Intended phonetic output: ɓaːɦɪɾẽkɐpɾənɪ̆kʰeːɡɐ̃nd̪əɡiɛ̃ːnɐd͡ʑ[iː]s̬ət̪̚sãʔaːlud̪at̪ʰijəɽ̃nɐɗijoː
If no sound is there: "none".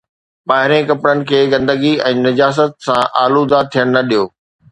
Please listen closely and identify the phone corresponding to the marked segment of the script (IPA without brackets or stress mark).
aː